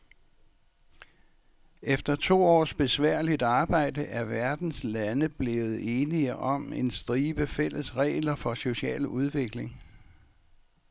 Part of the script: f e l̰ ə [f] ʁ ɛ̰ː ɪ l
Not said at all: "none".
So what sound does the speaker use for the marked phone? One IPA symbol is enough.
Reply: s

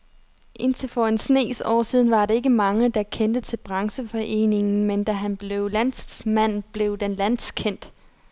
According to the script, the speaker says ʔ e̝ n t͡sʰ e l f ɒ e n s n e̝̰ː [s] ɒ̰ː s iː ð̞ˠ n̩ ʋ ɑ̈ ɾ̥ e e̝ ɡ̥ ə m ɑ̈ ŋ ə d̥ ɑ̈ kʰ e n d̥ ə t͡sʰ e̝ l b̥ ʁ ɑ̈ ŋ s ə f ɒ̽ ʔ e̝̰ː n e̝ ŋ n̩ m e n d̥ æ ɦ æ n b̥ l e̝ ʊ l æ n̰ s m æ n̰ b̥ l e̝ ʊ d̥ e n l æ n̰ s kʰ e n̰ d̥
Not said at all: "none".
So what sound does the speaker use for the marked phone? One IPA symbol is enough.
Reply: s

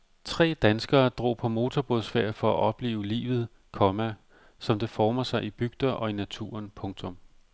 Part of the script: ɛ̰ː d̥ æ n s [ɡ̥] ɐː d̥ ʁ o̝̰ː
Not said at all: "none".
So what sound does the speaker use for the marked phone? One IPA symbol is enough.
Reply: ɡ̥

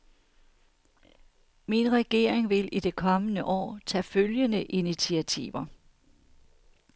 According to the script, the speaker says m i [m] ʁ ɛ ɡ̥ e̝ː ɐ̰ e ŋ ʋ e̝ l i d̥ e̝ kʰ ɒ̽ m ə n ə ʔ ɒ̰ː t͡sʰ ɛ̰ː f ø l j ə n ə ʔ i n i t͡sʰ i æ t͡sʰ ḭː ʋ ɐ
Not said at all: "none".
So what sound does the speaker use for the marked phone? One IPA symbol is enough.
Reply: n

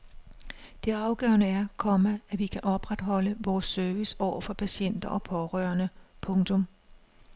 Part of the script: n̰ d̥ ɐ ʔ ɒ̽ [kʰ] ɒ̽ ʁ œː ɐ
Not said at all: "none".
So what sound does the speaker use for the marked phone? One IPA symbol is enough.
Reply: pʰ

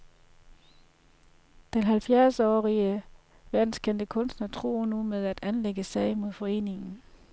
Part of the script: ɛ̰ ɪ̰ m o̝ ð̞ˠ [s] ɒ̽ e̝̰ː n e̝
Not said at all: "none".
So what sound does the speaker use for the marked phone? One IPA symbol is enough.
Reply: f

